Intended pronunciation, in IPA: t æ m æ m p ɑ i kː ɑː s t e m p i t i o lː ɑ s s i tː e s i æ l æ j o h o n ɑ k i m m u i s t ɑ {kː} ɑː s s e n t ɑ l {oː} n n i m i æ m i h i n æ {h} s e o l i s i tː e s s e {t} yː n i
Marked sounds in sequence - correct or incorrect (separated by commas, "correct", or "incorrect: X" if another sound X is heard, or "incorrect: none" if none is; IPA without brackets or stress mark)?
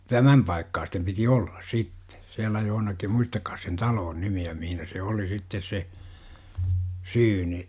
correct, correct, incorrect: none, incorrect: s